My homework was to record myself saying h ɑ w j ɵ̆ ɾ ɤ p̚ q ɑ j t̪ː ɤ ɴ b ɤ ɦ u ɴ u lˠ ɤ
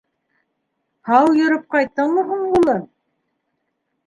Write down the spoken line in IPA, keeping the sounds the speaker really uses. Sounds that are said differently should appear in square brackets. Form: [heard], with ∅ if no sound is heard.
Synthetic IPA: h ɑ w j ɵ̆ ɾ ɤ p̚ q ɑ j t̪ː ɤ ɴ [m] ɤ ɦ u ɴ u lˠ ɤ